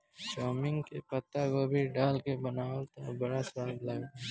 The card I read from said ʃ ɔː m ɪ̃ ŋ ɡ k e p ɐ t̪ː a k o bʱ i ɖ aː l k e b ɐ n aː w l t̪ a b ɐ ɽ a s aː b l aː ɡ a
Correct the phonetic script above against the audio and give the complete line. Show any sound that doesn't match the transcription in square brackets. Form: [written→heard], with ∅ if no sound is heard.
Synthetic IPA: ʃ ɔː m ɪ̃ ŋ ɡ k e p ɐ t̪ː a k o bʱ i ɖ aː l k e b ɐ n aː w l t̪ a b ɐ ɽ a s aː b l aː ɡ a

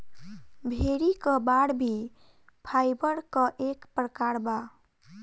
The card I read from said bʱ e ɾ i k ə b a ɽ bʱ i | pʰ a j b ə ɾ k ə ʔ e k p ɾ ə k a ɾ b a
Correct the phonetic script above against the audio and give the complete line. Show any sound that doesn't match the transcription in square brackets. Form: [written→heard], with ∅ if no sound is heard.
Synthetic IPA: bʱ e ɾ i k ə b a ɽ bʱ i | pʰ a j b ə ɾ k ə ʔ e k p ɾ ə k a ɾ b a

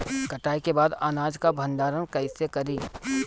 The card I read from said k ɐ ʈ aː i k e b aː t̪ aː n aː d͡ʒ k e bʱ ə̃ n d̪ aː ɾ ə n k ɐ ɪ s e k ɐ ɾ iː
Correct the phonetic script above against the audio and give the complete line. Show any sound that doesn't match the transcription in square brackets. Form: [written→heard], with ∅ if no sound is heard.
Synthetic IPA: k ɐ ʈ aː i k e b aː [t̪→d̪] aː n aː d͡ʒ k [e→a] bʱ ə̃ n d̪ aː ɾ ə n k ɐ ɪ s e k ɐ ɾ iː

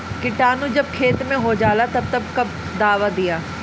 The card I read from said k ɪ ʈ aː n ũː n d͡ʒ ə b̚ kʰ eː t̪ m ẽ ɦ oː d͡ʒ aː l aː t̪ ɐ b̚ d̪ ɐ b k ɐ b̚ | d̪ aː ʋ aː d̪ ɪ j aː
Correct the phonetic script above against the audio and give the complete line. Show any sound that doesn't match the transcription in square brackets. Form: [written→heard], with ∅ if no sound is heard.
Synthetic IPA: k ɪ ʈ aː n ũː [n→∅] d͡ʒ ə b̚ kʰ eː t̪ m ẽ ɦ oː d͡ʒ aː l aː t̪ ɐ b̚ [d̪→t̪] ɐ b k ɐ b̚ | d̪ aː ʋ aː d̪ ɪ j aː

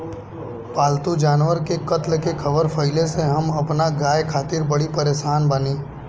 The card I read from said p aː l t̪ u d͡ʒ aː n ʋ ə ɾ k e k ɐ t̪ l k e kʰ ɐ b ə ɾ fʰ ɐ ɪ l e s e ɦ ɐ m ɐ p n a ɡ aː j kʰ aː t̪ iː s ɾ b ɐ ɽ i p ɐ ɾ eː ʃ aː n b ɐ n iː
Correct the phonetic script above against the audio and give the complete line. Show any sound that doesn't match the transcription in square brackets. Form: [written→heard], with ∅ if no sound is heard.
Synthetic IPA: p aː l t̪ u d͡ʒ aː n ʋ ə ɾ k e k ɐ t̪ l k e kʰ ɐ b ə ɾ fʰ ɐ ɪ l e s e ɦ ɐ m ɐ p n a ɡ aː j kʰ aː t̪ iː [s→∅] ɾ b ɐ ɽ i p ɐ ɾ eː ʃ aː n b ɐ n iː

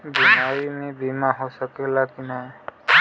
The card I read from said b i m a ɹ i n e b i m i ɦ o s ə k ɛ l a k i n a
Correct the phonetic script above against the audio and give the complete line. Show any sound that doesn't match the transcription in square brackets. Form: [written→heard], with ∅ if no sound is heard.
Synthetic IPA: b i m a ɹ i [n→m] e b i m [i→a] ɦ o s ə k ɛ l a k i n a

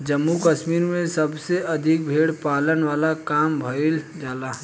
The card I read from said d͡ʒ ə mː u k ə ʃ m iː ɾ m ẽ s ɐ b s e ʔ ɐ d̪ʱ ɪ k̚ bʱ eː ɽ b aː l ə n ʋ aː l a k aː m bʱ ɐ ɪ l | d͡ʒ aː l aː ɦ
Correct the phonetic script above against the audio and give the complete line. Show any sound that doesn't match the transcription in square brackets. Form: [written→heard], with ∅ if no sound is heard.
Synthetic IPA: d͡ʒ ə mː u k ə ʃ m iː ɾ m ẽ s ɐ b s e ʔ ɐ d̪ʱ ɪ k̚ bʱ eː ɽ [b→p] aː l ə n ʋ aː l a k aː m bʱ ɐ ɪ l | d͡ʒ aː l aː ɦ

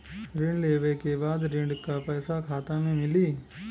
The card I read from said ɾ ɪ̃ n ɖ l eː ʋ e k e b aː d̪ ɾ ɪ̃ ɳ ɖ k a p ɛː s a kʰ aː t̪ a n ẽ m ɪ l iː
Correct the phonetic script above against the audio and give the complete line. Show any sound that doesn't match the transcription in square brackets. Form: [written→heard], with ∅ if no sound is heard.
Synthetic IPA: ɾ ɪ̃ [n→ɳ] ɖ l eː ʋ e k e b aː d̪ ɾ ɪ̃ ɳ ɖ k a p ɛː s a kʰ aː t̪ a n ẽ m ɪ l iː

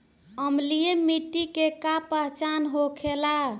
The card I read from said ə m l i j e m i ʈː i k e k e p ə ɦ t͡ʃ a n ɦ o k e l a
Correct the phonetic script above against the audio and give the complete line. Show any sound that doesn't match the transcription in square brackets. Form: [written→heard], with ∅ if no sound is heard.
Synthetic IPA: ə m l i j e m i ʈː i k e k [e→a] p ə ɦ t͡ʃ a n ɦ o [k→kʰ] e l a

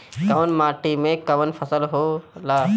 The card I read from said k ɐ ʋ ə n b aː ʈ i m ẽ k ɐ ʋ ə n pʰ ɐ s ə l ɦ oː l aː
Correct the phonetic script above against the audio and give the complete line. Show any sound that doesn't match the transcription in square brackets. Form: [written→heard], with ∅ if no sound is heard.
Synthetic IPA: k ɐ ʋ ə n [b→m] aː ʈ i m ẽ k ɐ ʋ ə n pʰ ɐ s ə l ɦ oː l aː

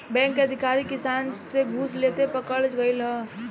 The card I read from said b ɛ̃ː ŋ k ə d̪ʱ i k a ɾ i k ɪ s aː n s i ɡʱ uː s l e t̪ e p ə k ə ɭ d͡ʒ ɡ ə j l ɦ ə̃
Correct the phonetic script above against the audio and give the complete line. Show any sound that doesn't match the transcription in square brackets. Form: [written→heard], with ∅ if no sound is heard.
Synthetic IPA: b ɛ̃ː ŋ k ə d̪ʱ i k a ɾ i k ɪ s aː n s [i→e] ɡʱ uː s l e t̪ e p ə k ə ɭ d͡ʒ ɡ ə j l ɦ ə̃

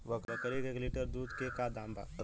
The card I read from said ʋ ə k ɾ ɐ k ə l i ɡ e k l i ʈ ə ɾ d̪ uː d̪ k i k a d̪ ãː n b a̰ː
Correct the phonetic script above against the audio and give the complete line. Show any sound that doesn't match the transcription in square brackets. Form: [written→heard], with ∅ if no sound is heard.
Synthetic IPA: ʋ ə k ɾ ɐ k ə [l→ɾ] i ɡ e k l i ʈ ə ɾ d̪ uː d̪ k [i→e] k a d̪ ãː [n→m] b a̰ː

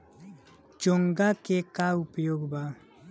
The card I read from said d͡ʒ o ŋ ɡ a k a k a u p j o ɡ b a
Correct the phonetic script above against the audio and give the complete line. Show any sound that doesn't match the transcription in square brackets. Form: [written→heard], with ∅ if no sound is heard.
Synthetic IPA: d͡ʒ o ŋ ɡ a k [a→e] k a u p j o ɡ b a

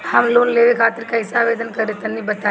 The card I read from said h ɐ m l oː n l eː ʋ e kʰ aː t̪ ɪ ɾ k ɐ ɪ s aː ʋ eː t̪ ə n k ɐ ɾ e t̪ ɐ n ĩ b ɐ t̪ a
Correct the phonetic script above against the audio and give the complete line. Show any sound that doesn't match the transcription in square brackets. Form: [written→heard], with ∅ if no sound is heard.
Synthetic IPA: h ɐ m l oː n l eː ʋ e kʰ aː t̪ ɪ ɾ k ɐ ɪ s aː ʋ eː [t̪→d̪] ə n k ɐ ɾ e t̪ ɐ n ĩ b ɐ t̪ a

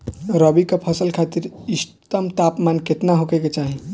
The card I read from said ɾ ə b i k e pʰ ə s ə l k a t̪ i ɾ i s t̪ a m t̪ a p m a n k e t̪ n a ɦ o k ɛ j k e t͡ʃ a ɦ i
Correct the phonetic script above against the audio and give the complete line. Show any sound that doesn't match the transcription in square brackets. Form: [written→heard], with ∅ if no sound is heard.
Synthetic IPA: ɾ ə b i k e pʰ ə s ə l [k→kʰ] a t̪ i ɾ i s t̪ [a→ə] m t̪ a p m a n k e t̪ n a ɦ o k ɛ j k e t͡ʃ a ɦ i

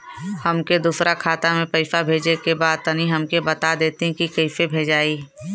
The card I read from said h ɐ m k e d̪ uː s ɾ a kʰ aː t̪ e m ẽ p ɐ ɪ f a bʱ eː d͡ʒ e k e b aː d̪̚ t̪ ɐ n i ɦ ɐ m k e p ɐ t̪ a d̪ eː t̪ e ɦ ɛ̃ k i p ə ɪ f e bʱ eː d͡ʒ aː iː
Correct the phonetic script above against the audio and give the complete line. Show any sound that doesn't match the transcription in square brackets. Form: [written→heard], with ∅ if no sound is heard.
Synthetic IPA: h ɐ m k e d̪ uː s ɾ a kʰ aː t̪ [e→a] m ẽ p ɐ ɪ f a bʱ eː d͡ʒ e k e b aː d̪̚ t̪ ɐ n i ɦ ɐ m k e [p→b] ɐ t̪ a d̪ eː t̪ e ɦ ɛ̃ k i [p→k] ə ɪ f e bʱ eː d͡ʒ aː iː

